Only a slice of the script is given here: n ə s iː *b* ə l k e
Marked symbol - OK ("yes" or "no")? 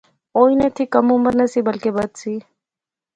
yes